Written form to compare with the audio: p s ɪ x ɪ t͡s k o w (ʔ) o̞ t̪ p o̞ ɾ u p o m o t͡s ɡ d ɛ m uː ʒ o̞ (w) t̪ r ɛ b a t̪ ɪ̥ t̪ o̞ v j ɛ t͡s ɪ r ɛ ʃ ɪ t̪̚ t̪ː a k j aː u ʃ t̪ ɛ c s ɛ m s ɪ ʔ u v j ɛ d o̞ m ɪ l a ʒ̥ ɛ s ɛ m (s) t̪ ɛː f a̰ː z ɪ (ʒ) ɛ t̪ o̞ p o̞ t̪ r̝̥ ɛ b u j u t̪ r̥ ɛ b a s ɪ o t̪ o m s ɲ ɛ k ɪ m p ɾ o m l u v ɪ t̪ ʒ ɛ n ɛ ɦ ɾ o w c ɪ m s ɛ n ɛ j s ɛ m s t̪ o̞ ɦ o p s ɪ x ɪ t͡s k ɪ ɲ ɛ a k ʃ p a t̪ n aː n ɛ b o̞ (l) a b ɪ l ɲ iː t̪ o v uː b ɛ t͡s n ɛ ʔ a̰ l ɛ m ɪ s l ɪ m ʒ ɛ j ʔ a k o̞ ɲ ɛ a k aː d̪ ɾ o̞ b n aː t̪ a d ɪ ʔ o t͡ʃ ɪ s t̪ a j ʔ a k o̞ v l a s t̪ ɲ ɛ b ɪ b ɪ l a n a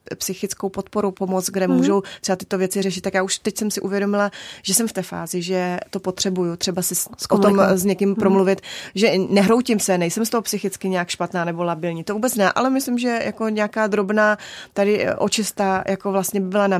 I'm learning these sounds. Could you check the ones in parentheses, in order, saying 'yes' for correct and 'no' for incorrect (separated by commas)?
no, yes, no, yes, yes